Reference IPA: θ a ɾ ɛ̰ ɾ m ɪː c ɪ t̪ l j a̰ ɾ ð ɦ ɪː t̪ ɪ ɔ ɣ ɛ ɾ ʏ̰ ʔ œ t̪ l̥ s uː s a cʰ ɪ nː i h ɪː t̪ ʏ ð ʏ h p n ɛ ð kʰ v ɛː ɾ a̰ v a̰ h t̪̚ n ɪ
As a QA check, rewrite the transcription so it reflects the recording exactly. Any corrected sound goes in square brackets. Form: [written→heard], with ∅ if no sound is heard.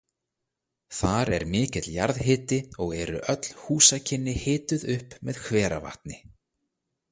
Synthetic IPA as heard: θ a ɾ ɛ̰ ɾ m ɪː c ɪ t̪ l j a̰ ɾ ð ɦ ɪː t̪ ɪ ɔ ɣ ɛ ɾ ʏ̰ ʔ œ t̪ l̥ [s→h] uː s a cʰ ɪ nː [i→ɪ] h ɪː t̪ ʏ ð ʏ h p [n→m] ɛ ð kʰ v ɛː ɾ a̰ v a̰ h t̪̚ n ɪ